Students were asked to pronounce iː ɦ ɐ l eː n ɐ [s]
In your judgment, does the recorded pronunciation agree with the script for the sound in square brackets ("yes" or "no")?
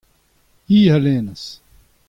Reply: yes